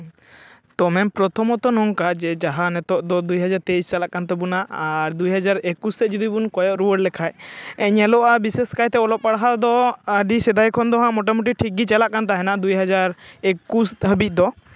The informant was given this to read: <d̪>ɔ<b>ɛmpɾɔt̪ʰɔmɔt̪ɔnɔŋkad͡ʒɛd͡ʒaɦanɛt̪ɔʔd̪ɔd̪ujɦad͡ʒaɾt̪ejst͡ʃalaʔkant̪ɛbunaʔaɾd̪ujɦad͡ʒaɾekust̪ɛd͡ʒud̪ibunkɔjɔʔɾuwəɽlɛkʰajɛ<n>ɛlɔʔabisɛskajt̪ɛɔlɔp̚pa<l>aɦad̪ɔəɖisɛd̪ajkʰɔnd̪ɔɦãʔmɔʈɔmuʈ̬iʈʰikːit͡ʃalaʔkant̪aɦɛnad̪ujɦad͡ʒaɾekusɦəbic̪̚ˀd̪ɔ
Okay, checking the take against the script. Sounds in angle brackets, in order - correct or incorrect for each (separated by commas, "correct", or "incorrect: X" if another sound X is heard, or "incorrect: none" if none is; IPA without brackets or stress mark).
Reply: incorrect: t̪, incorrect: m, incorrect: ɲ, incorrect: ɽ